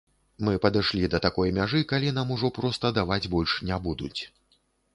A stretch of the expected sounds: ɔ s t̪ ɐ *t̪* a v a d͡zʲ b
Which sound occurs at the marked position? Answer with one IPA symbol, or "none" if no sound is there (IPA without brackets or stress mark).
d̪